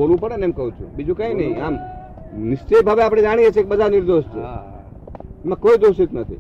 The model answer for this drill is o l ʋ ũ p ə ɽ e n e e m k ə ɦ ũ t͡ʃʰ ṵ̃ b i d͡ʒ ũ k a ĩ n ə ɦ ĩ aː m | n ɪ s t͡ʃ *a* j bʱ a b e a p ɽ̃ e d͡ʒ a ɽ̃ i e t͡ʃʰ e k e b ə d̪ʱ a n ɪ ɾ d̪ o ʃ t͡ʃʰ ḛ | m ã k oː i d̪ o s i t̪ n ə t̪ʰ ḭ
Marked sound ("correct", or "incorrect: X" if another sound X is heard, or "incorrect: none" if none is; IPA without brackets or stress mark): incorrect: e